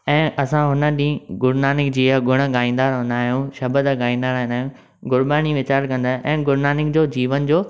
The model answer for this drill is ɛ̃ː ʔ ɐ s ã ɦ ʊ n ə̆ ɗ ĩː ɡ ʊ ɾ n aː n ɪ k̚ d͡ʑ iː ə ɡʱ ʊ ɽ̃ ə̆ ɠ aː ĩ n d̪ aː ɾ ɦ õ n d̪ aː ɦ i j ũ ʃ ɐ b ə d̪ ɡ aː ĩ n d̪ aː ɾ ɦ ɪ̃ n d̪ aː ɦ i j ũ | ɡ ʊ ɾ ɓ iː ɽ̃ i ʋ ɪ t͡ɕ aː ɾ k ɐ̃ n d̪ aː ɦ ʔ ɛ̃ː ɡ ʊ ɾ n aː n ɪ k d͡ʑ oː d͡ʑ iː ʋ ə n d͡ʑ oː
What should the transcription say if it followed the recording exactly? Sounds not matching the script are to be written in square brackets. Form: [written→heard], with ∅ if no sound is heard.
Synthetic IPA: ɛ̃ː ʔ ɐ s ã ɦ ʊ n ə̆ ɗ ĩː ɡ ʊ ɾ n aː n ɪ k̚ d͡ʑ iː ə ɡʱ ʊ ɽ̃ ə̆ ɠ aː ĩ n d̪ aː ɾ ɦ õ n d̪ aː ɦ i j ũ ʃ ɐ b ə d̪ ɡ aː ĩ n d̪ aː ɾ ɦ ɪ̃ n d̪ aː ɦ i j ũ | ɡ ʊ ɾ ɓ [iː→aː] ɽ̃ i ʋ ɪ t͡ɕ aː ɾ k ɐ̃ n d̪ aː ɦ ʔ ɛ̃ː ɡ ʊ ɾ n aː n ɪ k d͡ʑ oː d͡ʑ iː ʋ ə n d͡ʑ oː